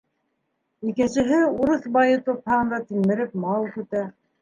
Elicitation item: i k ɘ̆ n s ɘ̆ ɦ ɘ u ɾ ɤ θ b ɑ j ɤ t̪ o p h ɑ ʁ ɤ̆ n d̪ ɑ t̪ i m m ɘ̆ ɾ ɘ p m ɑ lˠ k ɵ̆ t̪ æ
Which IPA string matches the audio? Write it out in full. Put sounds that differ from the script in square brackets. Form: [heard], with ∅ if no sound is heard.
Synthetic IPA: i k ɘ̆ n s ɘ̆ ɦ ɘ u ɾ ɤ θ b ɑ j ɤ t̪ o p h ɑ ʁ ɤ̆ n d̪ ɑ t̪ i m m ɘ̆ ɾ ɘ p m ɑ lˠ k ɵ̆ t̪ æ

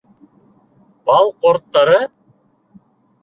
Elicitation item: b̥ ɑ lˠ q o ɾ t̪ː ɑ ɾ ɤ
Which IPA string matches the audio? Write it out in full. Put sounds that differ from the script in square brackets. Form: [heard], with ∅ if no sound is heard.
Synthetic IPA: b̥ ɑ lˠ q o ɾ t̪ː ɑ ɾ ɤ

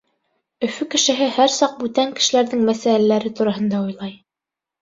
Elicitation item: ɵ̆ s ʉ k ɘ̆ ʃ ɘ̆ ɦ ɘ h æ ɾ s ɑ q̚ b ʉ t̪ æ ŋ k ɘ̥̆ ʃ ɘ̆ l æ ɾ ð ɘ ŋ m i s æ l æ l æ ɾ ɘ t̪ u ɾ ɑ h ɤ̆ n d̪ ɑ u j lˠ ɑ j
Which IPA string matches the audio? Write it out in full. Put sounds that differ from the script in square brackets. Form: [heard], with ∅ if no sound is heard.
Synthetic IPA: ɵ̆ [f] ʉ k ɘ̆ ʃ ɘ̆ ɦ ɘ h æ ɾ s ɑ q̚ b ʉ t̪ æ ŋ k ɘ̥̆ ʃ ɘ̆ l æ ɾ ð ɘ ŋ m [æ] s æ l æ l æ ɾ ɘ t̪ u ɾ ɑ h ɤ̆ n d̪ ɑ u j lˠ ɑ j

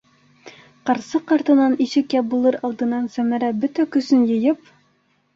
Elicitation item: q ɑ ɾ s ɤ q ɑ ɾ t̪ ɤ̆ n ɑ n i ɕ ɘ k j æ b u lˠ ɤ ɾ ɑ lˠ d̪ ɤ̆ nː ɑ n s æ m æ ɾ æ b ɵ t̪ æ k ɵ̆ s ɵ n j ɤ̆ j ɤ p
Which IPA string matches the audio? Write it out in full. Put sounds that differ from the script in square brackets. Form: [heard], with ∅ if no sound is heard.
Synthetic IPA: q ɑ ɾ s ɤ q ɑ ɾ t̪ ɤ̆ n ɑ n i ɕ ɘ k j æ b u lˠ ɤ ɾ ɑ lˠ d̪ ɤ̆ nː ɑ n s æ m æ ɾ æ b ɵ t̪ æ k ɵ̆ s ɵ n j ɤ̆ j ɤ p

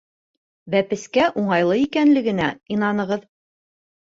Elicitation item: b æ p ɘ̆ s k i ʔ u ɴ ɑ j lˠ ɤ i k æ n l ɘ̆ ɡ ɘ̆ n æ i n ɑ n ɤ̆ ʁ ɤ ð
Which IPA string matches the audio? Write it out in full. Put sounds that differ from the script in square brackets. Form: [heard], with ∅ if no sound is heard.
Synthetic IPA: b æ p ɘ̆ s k [æ] ʔ u ɴ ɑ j lˠ ɤ i k æ n l ɘ̆ ɡ ɘ̆ n æ i n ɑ n ɤ̆ ʁ ɤ ð

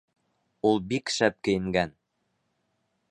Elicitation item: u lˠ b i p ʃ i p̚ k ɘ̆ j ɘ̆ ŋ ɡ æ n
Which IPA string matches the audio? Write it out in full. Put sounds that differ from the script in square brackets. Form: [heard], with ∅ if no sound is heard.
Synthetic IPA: u lˠ b i [k] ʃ [æ] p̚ k ɘ̆ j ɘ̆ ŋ ɡ æ n

